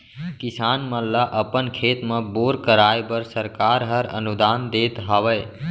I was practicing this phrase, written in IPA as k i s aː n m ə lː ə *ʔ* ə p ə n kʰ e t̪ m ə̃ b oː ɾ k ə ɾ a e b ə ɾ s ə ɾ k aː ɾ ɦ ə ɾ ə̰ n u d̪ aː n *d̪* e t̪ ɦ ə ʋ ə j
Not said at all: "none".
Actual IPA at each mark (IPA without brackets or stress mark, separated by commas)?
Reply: ʔ, d̪